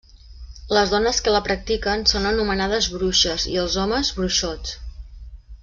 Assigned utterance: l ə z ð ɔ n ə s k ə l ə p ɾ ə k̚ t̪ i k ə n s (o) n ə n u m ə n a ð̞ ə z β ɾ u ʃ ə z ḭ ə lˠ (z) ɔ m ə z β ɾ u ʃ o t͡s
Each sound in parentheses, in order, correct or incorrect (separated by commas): correct, correct